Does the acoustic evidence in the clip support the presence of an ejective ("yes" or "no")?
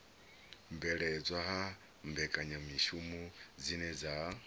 yes